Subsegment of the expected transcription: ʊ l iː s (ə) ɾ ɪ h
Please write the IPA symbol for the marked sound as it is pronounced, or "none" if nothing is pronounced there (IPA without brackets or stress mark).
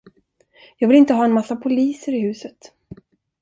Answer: ə